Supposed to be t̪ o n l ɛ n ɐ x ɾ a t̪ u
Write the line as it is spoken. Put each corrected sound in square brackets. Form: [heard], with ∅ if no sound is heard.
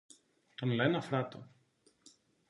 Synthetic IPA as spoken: t̪ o n l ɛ n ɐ [f] ɾ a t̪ [o]